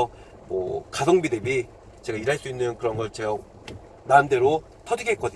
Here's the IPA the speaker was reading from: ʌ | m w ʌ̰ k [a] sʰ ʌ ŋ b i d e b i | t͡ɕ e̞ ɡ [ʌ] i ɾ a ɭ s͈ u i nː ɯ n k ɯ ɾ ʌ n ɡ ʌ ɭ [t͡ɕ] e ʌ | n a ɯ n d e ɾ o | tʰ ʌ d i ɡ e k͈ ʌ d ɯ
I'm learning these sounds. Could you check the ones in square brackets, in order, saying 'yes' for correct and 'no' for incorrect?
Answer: yes, no, yes

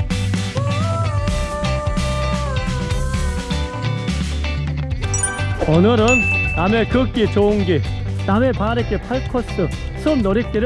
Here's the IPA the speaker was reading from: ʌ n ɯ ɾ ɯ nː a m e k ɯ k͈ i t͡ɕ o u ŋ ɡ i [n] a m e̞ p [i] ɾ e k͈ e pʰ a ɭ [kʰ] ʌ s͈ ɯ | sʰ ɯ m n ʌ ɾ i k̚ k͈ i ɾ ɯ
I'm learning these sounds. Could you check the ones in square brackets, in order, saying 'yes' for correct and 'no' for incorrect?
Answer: yes, no, yes

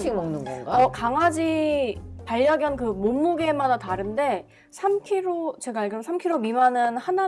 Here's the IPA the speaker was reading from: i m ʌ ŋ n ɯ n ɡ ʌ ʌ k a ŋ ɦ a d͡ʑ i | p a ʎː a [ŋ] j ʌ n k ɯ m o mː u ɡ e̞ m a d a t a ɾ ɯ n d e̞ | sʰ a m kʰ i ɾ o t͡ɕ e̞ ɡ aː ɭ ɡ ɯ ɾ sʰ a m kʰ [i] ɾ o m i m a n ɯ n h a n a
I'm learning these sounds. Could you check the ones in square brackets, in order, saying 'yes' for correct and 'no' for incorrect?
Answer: no, yes

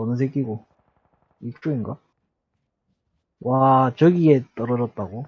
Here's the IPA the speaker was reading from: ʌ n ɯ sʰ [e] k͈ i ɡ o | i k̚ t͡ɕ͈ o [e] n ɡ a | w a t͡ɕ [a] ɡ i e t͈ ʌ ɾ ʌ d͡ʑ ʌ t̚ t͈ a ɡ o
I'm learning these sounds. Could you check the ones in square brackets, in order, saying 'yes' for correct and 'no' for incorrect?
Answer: yes, no, no

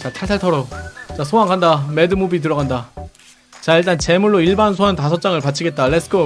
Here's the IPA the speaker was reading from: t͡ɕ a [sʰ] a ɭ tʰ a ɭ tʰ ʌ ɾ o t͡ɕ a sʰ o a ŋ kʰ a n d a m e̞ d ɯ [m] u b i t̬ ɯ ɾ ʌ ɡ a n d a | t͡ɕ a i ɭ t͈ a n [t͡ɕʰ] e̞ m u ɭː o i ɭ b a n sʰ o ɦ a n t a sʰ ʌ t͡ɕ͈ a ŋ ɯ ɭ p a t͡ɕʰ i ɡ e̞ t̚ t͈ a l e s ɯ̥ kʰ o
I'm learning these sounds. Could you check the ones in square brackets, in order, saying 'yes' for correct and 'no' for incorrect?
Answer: no, yes, no

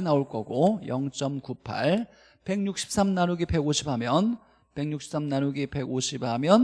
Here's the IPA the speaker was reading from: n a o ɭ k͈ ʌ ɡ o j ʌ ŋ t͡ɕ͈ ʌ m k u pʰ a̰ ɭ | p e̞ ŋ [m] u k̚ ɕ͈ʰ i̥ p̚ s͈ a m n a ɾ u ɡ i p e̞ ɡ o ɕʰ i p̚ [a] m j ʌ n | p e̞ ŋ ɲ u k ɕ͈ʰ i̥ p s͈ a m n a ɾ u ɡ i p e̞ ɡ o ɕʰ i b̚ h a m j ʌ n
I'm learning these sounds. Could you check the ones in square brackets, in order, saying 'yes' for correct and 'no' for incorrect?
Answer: no, yes

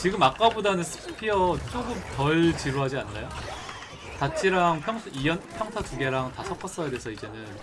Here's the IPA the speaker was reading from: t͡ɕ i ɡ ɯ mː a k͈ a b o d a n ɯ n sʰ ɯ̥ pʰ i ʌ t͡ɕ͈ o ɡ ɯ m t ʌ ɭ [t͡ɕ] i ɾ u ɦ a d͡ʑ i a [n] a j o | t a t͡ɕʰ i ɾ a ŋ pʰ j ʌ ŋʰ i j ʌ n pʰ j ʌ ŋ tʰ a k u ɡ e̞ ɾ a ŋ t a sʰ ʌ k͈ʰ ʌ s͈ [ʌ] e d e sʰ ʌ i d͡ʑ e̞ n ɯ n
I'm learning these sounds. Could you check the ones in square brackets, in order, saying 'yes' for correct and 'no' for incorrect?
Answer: yes, no, yes

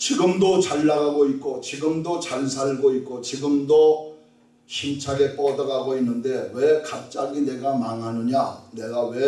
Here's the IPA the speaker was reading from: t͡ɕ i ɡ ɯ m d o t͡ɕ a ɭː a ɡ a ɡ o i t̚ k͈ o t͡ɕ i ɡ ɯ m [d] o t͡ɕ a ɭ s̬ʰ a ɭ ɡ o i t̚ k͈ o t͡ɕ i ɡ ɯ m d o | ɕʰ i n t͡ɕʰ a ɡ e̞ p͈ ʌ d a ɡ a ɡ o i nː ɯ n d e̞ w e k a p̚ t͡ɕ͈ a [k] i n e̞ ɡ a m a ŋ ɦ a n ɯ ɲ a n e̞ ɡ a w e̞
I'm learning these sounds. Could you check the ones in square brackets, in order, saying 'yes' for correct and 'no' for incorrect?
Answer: yes, no

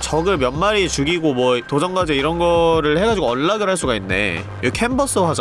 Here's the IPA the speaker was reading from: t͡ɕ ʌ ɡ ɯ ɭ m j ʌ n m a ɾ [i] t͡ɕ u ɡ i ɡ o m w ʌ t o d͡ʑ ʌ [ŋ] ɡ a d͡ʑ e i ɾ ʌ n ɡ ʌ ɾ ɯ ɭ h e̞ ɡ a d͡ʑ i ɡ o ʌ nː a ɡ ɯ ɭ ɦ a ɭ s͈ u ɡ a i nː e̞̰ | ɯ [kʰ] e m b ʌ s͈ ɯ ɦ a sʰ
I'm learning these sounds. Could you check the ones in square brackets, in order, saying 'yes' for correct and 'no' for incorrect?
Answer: yes, yes, yes

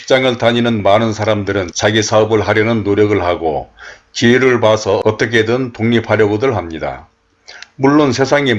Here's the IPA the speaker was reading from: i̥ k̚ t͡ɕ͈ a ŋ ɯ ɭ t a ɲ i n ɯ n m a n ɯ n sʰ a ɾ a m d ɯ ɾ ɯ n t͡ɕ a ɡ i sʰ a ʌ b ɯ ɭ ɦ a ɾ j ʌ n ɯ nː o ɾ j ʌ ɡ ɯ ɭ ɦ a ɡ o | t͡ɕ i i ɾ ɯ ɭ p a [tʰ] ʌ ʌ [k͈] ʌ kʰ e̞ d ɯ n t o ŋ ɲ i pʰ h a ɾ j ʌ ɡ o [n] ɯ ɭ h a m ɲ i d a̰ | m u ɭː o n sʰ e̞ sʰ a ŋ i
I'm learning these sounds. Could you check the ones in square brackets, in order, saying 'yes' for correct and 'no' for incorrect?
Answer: no, no, no

